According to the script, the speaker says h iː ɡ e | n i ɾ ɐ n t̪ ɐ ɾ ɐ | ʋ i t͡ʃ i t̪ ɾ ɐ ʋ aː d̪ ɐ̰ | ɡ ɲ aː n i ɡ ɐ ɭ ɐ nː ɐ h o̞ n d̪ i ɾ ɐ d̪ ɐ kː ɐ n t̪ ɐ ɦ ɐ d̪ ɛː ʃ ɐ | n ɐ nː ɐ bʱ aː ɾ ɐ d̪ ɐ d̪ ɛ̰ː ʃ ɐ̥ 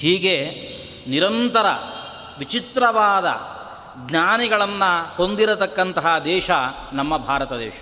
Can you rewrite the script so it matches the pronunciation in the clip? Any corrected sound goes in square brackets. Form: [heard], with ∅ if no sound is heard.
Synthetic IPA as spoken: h iː ɡ e | n i ɾ ɐ n t̪ ɐ ɾ ɐ | ʋ i t͡ʃ i t̪ ɾ ɐ ʋ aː d̪ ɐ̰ | ɡ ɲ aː n i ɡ ɐ ɭ ɐ nː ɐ h o̞ n d̪ i ɾ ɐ [t̪] ɐ kː ɐ n t̪ ɐ ɦ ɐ d̪ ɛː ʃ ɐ | n ɐ [mː] ɐ bʱ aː ɾ ɐ [t̪] ɐ d̪ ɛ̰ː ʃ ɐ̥